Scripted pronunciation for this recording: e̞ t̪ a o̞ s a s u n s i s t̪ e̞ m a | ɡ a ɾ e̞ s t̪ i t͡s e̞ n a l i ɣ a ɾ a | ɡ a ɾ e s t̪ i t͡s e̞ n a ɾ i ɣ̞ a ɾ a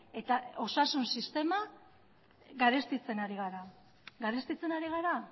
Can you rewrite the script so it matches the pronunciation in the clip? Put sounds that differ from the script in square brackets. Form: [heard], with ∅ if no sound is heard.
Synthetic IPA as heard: e̞ t̪ a o̞ s a s u n s i s t̪ e̞ m a | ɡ a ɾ e̞ s t̪ i t͡s e̞ n a [ɾ] i ɣ a ɾ a | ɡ a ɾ e s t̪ i t͡s e̞ n a ɾ i ɣ̞ a ɾ a

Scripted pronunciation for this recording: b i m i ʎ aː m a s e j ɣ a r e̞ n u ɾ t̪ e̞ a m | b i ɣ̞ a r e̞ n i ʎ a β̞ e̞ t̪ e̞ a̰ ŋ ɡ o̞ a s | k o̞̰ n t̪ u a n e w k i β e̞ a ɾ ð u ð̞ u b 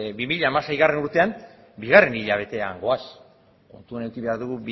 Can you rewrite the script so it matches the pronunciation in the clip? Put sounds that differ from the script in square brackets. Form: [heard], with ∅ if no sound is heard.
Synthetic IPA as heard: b i m i ʎ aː m a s e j ɣ a r e̞ n u ɾ t̪ e̞ a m | b i ɣ̞ a r e̞ n i ʎ a β̞ e̞ t̪ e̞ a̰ ŋ ɡ o̞ a s | k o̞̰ n t̪ u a n e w k i β e̞ a ɾ ð u [ɣ̞] u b

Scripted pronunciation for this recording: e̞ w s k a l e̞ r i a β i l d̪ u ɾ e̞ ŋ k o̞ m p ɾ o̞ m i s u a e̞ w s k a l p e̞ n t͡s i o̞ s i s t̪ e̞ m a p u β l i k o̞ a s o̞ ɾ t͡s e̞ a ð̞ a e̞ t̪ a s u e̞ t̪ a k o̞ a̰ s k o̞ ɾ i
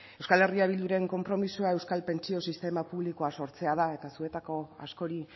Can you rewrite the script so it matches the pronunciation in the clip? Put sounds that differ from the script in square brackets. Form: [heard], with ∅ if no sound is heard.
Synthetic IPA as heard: e̞ w s k a l e̞ r i a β i l d̪ u ɾ e̞ ŋ k o̞ m p ɾ o̞ m i s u a e̞ w s k a l p e̞ n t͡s i o̞ s i s t̪ e̞ m a p u β l i k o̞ a s o̞ ɾ t͡s e̞ a ð̞ a e̞ t̪ a s u e̞ t̪ a k o̞ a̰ s k o̞ ɾ i

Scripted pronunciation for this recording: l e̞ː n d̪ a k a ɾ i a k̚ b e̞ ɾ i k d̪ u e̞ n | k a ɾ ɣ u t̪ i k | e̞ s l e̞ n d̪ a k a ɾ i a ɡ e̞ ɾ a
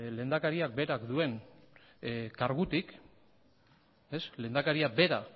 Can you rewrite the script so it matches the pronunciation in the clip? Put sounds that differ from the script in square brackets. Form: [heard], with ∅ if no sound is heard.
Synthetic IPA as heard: l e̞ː n d̪ a k a ɾ i a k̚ b e̞ ɾ [a] k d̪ u e̞ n | k a ɾ ɣ u t̪ i k | e̞ s l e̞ n d̪ a k a ɾ i a [b] e̞ ɾ a

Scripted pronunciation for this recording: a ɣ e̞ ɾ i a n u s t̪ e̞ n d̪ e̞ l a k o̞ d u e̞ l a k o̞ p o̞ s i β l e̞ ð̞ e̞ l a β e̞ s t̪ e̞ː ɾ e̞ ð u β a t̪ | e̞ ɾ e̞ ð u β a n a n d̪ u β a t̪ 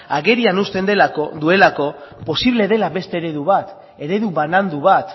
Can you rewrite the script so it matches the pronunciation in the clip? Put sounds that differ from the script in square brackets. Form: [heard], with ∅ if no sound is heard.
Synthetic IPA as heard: a ɣ e̞ ɾ i a n u s t̪ e̞ n d̪ e̞ l a k o̞ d u e̞ l a k o̞ p o̞ s i β l e̞ ð̞ e̞ l a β e̞ s t̪ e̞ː ɾ e̞ ð u β a t̪ | e̞ ɾ e̞ ð u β a n a n d̪ u β a t̪

